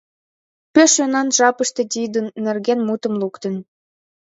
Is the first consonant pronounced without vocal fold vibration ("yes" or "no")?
yes